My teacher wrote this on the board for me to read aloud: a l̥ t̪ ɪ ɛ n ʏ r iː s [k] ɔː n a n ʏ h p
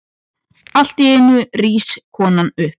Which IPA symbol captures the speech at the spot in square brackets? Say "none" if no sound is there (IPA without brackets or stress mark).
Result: kʰ